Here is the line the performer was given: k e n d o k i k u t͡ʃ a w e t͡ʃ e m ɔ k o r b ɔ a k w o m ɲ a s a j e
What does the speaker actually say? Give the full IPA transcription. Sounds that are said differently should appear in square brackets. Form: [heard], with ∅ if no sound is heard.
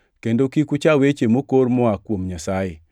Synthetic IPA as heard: k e n d o k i k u t͡ʃ a w e t͡ʃ e m [o] k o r [m] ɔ a k w o m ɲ a s a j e